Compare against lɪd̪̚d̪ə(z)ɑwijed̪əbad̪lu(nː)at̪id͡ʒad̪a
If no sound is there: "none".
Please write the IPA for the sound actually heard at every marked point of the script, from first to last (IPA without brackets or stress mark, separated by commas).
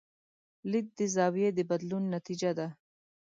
z, nː